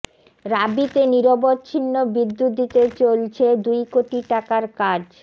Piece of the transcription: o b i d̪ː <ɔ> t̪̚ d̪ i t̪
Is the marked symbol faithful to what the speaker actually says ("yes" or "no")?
no